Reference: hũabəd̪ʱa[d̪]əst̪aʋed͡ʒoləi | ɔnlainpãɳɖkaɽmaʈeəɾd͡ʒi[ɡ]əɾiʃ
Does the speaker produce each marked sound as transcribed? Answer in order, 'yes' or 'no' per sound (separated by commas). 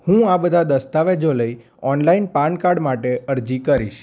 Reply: yes, no